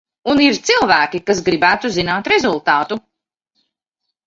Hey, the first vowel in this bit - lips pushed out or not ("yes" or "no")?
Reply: yes